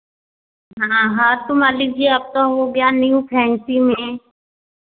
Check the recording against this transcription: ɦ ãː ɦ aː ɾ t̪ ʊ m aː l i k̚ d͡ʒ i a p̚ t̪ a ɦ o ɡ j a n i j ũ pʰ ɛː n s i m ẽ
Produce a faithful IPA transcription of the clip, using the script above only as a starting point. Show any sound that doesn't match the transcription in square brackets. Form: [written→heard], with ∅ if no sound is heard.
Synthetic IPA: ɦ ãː ɦ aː ɾ t̪ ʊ m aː l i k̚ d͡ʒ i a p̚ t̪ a ɦ o ɡ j a n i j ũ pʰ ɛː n s i m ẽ